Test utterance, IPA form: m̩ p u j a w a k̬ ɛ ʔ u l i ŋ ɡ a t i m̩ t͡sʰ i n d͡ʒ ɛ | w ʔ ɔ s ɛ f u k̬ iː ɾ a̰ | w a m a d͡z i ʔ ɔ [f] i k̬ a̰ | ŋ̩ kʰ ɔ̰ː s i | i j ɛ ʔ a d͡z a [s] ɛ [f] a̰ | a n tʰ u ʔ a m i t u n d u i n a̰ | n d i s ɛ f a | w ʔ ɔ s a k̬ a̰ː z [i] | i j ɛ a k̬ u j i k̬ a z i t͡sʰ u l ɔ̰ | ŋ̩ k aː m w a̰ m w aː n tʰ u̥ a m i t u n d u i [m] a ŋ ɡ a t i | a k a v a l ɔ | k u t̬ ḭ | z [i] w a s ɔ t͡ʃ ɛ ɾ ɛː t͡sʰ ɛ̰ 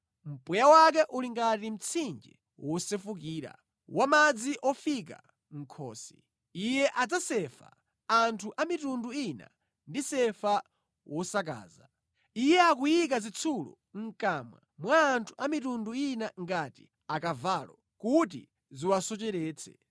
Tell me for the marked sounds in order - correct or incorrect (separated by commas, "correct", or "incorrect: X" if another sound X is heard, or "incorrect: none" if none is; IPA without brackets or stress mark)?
correct, correct, correct, incorrect: a, incorrect: n, correct